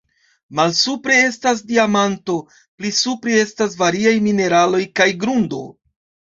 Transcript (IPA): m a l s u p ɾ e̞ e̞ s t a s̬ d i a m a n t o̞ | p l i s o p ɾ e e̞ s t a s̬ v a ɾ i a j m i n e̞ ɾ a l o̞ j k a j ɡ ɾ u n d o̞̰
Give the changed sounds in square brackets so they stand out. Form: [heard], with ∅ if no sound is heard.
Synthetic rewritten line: m a l s u p ɾ e̞ e̞ s t a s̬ d i a m a n t o̞ | p l i s [u] p ɾ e e̞ s t a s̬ v a ɾ i a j m i n e̞ ɾ a l o̞ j k a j ɡ ɾ u n d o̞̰